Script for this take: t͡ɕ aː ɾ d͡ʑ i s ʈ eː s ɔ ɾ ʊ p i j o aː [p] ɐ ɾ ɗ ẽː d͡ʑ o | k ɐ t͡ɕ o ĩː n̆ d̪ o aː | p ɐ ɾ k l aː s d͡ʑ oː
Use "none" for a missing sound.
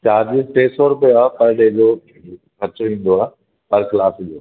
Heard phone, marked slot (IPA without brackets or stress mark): p